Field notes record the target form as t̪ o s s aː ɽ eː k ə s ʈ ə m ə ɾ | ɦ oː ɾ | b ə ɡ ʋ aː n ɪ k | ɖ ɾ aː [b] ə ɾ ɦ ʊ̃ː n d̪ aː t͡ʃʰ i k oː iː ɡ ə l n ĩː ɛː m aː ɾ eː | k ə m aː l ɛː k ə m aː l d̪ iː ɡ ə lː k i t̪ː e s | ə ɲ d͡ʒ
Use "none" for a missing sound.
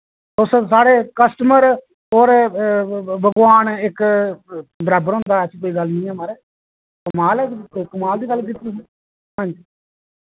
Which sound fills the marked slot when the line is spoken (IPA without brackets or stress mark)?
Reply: b